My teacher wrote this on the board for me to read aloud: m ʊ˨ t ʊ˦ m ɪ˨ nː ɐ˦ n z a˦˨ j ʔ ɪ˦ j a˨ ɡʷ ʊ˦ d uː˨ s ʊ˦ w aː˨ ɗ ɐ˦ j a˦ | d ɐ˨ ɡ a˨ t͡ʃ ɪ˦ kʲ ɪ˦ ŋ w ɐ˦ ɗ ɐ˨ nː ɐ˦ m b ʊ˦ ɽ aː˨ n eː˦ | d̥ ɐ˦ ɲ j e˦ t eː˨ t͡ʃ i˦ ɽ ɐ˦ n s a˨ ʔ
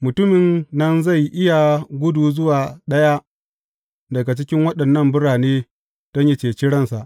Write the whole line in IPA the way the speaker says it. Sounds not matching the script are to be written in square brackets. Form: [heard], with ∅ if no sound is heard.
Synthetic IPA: m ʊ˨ t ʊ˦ m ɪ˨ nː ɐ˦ n z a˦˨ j ʔ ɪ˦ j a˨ ɡʷ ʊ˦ d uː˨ [z] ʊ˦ w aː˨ ɗ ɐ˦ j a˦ | d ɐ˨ ɡ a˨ t͡ʃ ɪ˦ kʲ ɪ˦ ŋ w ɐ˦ ɗ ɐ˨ nː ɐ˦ m b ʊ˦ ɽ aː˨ n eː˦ | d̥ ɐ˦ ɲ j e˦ [t͡ʃ] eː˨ t͡ʃ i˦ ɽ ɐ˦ n s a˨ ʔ